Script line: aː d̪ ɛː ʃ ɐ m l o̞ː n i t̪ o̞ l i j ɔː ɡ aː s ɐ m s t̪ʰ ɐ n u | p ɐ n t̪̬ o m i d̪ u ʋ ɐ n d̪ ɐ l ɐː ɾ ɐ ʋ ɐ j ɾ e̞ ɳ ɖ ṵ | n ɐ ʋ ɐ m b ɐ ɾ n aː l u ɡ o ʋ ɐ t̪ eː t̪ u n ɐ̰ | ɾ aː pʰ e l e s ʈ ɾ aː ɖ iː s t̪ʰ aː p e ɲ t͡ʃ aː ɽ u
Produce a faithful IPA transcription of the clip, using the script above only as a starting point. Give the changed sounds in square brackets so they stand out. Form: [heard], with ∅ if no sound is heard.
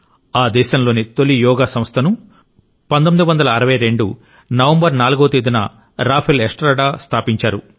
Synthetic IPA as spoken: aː d̪ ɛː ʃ ɐ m l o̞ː n i t̪ o̞ l i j ɔː ɡ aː s ɐ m s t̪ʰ ɐ n u | p ɐ n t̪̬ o m i d̪ u ʋ ɐ n d̪ ɐ l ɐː ɾ ɐ ʋ ɐ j ɾ e̞ ɳ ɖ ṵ | n ɐ ʋ ɐ m b ɐ ɾ n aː l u ɡ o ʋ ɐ t̪ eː [d̪] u n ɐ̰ | ɾ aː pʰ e l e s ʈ ɾ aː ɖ [aː] s t̪ʰ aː p [i] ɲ t͡ʃ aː [ɾ] u